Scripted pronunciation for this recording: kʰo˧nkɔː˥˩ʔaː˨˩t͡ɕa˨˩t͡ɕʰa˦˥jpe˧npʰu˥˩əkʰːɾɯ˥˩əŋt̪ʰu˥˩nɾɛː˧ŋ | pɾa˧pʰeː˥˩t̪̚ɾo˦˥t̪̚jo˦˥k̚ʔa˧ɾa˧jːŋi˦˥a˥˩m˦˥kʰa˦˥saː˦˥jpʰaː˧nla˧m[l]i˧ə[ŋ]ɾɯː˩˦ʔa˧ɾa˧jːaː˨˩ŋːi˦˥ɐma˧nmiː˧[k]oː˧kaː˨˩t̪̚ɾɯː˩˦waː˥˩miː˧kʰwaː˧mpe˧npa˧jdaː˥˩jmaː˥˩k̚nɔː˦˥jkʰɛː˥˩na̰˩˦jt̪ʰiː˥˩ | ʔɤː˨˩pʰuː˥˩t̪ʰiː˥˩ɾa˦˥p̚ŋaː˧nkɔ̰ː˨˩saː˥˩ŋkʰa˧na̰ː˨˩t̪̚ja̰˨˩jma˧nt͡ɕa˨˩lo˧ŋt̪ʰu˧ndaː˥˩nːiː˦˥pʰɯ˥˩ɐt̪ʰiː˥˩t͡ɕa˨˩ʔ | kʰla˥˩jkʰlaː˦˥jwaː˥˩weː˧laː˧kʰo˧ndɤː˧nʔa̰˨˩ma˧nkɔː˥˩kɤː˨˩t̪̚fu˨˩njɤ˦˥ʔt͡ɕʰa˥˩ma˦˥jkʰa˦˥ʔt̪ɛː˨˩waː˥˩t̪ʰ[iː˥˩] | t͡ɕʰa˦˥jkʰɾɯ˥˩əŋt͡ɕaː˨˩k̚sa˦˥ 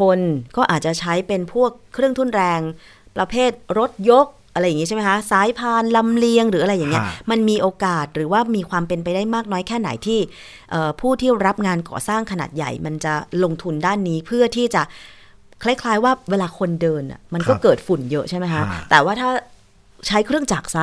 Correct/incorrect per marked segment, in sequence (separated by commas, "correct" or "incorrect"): correct, correct, incorrect, incorrect